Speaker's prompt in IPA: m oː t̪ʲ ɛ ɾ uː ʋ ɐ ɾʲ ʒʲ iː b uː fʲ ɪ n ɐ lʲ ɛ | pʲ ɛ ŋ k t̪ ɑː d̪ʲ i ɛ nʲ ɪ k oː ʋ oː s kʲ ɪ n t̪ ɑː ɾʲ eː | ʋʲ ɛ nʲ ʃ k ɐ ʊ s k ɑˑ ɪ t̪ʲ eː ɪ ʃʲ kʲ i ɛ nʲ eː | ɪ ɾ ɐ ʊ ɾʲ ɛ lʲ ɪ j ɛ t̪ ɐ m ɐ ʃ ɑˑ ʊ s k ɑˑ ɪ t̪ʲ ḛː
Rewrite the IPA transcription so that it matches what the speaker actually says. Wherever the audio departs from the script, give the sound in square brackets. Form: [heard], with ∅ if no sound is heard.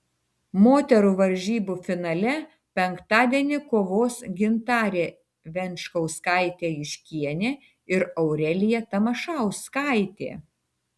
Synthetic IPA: m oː t̪ʲ ɛ ɾ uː ʋ ɐ ɾʲ ʒʲ iː b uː fʲ ɪ n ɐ lʲ ɛ | pʲ ɛ ŋ k t̪ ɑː d̪ʲ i ɛ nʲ ɪ k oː ʋ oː s [ɡʲ] ɪ n t̪ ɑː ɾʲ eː | ʋʲ ɛ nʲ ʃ k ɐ ʊ s k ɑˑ ɪ t̪ʲ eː ɪ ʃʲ kʲ i ɛ nʲ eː | ɪ ɾ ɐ ʊ ɾʲ ɛ lʲ ɪ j ɛ t̪ ɐ m ɐ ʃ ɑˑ ʊ s k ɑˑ ɪ t̪ʲ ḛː